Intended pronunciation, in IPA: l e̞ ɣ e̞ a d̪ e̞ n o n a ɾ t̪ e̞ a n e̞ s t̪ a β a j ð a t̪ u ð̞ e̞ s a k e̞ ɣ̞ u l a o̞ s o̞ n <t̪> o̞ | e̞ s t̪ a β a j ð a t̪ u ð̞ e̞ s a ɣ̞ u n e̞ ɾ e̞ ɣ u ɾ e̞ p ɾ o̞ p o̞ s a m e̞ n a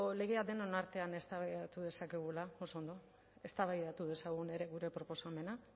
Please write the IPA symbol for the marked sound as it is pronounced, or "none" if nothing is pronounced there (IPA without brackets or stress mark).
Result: d̪